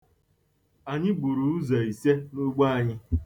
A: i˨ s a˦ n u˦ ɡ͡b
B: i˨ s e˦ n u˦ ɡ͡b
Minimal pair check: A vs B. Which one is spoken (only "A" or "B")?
B